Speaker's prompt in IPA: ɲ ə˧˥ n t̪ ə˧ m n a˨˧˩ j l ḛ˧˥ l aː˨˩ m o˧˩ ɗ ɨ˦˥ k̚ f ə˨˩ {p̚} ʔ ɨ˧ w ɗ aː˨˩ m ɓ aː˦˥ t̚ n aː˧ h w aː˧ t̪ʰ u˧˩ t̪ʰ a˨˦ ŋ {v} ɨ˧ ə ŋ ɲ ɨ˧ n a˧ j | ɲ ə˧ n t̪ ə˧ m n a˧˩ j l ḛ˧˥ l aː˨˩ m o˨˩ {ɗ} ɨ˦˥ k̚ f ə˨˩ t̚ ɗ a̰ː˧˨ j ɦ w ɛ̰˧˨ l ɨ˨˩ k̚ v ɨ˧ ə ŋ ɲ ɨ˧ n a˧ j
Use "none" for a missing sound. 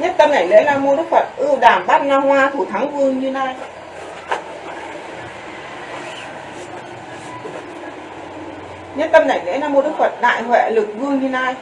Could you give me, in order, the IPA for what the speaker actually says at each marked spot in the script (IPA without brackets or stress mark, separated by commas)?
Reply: t̚, v, ɗ